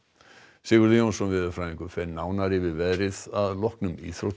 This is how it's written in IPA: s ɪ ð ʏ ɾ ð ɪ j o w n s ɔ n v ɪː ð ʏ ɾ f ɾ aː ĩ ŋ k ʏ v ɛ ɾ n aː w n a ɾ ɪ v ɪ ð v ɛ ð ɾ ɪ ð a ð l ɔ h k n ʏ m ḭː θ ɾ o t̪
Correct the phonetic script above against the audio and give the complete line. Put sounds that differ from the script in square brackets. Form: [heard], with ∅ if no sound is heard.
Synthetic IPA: s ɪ [ɣ] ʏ ɾ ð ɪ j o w n s ɔ n v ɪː ð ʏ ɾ f ɾ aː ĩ ŋ k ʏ [f] ɛ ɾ n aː w n a ɾ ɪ v ɪ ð v ɛ ð ɾ ɪ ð a ð l ɔ h k n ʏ m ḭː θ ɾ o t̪